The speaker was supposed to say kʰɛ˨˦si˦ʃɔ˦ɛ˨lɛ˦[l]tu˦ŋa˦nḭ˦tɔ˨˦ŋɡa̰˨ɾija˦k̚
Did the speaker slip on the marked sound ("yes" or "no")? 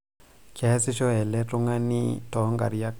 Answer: yes